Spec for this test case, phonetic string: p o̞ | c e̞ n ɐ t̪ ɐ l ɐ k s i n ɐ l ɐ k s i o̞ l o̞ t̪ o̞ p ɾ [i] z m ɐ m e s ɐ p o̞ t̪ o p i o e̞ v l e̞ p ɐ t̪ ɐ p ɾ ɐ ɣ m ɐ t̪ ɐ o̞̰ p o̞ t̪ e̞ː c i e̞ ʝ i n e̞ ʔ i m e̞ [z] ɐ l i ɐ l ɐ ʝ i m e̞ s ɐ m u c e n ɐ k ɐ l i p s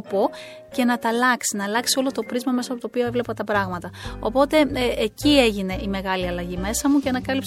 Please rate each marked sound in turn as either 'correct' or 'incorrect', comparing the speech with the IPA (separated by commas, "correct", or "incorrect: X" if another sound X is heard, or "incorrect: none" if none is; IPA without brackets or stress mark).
correct, incorrect: ɣ